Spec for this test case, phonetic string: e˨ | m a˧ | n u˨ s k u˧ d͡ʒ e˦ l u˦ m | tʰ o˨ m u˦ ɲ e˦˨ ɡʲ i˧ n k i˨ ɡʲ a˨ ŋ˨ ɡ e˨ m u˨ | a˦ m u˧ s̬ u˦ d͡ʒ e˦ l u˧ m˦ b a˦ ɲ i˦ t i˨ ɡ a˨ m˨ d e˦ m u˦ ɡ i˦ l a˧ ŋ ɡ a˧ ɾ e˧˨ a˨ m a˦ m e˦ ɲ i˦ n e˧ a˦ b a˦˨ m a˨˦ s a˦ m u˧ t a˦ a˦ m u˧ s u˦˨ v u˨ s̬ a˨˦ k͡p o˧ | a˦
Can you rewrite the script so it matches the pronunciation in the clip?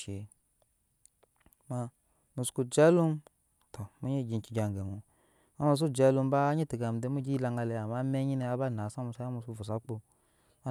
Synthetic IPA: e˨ | m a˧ | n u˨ s k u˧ d͡ʒ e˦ l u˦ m | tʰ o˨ m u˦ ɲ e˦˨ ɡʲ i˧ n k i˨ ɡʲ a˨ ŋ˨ ɡ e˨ m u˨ | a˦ m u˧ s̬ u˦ d͡ʒ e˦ l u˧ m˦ b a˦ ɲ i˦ t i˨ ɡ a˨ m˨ d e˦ m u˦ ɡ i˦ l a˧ ŋ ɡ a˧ l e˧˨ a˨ m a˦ m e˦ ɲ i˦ n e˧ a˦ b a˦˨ n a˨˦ s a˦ m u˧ s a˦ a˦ m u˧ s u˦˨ v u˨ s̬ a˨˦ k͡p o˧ | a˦

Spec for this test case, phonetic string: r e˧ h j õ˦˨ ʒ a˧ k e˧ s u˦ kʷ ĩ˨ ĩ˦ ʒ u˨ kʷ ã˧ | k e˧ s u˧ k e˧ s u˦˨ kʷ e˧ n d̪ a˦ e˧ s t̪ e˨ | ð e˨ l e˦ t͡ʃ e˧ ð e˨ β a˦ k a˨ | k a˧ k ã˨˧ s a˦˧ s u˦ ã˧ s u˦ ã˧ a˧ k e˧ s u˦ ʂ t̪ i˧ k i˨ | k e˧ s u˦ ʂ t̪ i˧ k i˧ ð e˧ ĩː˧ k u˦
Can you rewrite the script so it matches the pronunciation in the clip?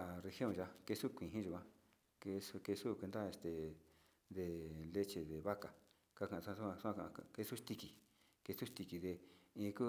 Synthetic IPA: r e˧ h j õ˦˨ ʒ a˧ k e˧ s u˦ kʷ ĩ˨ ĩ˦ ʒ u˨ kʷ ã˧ | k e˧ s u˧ k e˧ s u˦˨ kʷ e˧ n d̪ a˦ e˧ s t̪ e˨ | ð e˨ l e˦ t͡ʃ e˧ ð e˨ β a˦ k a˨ | k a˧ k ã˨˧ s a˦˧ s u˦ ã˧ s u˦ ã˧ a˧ k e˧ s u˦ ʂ t̪ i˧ k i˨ | k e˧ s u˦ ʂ t̪ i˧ k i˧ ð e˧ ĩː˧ k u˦

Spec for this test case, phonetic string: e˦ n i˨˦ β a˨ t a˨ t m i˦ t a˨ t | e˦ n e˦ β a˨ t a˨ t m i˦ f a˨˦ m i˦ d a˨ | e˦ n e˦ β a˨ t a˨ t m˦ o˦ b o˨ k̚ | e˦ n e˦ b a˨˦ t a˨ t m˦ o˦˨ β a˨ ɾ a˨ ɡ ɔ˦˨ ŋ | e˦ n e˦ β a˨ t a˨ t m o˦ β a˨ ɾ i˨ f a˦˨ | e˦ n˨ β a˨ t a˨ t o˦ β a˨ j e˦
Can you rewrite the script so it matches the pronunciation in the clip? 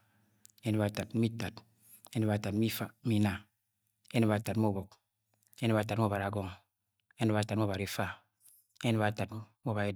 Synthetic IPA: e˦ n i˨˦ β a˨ t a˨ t m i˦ t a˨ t | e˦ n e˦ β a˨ t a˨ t m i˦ f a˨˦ m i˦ n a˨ | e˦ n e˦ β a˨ t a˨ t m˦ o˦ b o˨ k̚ | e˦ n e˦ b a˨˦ t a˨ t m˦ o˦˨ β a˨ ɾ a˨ ɡ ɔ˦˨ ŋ | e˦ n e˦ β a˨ t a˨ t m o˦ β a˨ ɾ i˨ f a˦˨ | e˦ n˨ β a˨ t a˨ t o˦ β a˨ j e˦

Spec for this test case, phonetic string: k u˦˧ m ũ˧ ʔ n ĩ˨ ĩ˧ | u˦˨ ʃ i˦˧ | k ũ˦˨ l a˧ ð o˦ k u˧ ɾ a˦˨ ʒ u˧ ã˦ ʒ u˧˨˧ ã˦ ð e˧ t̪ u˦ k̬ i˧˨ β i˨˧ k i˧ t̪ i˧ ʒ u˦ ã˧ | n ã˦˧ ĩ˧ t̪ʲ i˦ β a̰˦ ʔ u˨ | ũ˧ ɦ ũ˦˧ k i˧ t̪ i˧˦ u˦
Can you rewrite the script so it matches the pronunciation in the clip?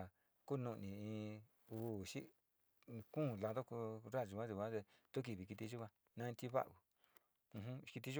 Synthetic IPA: k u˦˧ n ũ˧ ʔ n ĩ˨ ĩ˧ | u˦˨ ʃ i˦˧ | k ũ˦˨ l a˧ ð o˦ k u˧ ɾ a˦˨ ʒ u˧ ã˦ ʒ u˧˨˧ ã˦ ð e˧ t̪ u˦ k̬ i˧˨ β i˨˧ k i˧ t̪ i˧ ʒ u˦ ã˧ | n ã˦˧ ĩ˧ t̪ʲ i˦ β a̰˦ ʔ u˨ | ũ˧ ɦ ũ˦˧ k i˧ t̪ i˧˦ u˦

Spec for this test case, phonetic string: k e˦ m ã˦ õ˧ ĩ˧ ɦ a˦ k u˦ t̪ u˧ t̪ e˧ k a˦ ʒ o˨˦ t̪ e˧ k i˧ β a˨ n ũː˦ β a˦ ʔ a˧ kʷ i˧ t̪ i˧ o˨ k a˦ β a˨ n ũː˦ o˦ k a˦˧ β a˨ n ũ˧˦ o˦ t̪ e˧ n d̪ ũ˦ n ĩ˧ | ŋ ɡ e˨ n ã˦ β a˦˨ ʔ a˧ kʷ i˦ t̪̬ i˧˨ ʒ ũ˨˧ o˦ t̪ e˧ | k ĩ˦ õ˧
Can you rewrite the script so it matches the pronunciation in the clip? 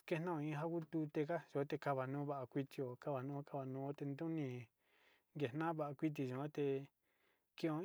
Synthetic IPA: k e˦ n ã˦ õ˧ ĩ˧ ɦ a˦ k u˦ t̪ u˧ t̪ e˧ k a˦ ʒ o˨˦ t̪ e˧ k a˧ β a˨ n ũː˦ β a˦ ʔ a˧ kʷ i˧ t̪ i˧ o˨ k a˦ β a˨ n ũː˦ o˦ k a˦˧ β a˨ n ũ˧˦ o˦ t̪ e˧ n d̪ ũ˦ n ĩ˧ | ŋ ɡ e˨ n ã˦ β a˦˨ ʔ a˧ kʷ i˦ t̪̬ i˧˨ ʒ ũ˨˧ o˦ t̪ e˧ | k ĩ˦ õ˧

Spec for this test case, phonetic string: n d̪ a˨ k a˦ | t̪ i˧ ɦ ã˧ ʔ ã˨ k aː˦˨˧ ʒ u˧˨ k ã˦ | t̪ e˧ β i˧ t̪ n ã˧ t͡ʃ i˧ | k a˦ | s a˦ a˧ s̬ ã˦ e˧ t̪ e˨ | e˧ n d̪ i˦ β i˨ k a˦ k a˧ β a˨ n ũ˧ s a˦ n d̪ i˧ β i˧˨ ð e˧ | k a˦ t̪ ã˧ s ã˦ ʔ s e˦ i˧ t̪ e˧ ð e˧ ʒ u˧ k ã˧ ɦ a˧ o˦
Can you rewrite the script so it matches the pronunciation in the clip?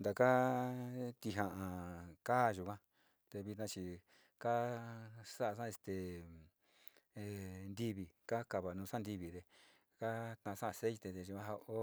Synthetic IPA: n d̪ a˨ k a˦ | t̪ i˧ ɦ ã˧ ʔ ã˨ k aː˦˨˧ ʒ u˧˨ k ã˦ | t̪ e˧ β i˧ t̪ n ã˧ t͡ʃ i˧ | k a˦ | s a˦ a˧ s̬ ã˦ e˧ t̪ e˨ | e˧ n d̪ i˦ β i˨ k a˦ k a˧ β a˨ n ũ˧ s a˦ n d̪ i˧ β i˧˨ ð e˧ | k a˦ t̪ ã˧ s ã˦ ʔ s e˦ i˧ t̪ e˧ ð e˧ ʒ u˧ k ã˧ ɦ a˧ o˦

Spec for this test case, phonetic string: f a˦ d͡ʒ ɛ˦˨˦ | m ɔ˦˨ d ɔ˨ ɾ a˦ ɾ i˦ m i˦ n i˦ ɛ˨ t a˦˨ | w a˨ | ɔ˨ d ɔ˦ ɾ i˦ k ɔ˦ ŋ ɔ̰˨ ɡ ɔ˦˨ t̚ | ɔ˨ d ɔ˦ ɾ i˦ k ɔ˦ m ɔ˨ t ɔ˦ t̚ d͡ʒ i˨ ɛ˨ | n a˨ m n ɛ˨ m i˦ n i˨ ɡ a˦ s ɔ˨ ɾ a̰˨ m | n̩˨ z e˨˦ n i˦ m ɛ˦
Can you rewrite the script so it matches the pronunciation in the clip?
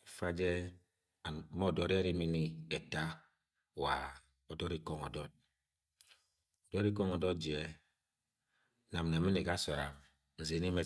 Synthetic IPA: f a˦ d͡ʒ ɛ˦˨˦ | m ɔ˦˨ d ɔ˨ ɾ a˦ ɾ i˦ m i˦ n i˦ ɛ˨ t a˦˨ | w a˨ | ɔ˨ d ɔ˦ ɾ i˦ k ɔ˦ ŋ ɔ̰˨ d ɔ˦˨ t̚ | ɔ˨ d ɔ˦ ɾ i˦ k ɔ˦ ŋ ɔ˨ d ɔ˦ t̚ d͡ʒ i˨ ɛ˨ | n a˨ m n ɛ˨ m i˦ n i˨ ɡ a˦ s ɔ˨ ɾ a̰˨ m | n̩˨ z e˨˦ n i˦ m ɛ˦

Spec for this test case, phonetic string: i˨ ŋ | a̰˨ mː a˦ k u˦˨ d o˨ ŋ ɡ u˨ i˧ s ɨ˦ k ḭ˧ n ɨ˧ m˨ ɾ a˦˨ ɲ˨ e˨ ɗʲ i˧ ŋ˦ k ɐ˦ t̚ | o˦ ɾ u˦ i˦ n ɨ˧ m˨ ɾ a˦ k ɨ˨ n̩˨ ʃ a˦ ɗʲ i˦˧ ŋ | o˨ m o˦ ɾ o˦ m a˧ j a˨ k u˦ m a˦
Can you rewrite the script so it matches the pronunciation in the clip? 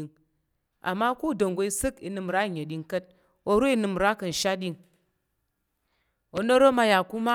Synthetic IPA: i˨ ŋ | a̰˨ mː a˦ k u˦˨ d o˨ ŋ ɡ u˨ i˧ s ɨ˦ k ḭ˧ n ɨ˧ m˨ ɾ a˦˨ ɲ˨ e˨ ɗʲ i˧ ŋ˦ k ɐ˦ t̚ | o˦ ɾ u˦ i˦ n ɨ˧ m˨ ɾ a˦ k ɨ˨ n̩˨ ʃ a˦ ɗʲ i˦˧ ŋ | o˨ n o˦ ɾ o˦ m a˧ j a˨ k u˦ m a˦

